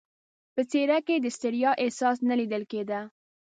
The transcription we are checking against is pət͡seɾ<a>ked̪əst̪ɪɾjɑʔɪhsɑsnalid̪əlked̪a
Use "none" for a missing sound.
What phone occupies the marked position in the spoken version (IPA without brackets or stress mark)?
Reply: a